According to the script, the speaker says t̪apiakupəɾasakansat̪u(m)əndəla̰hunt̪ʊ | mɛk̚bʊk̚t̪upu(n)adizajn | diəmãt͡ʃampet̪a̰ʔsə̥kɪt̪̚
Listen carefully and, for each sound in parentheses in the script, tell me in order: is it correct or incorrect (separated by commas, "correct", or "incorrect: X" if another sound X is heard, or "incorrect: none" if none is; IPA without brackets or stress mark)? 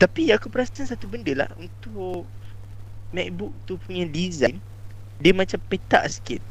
incorrect: b, incorrect: ɲ